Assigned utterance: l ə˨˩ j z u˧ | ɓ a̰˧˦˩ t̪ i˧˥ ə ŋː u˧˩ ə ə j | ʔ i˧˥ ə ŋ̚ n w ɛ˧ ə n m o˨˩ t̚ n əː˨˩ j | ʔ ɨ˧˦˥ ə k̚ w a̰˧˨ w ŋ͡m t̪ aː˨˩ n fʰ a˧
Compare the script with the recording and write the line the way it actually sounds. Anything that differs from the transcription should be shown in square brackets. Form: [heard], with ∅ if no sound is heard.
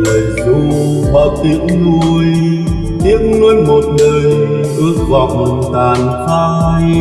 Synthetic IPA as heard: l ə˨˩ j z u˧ | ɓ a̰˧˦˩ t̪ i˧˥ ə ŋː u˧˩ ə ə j | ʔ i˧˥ ə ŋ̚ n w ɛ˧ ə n m o˨˩ t̚ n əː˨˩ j | ʔ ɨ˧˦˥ ə k̚ [v] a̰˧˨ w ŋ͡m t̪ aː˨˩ n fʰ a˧